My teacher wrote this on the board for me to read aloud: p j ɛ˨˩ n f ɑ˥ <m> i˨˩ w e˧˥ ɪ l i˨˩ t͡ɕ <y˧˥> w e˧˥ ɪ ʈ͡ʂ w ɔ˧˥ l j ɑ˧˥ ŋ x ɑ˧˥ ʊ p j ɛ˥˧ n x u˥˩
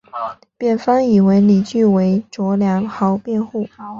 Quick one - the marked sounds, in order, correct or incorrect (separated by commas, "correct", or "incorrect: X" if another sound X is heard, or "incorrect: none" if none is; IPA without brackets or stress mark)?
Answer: incorrect: ŋ, incorrect: y˥˩